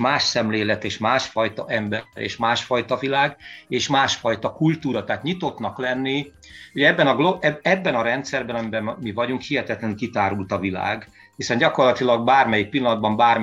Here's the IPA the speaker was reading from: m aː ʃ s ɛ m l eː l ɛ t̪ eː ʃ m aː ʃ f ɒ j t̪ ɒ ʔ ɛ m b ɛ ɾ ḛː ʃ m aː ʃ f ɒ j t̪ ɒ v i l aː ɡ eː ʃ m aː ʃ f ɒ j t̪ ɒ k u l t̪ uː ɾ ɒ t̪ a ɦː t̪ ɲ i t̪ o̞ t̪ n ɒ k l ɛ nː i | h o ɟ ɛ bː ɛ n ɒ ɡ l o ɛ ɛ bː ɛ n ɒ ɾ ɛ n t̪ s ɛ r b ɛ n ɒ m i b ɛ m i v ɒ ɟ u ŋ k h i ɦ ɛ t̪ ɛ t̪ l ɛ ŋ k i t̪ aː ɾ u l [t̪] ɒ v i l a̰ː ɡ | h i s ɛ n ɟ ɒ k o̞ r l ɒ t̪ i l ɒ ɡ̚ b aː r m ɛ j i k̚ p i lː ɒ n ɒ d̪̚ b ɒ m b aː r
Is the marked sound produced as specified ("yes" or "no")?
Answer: yes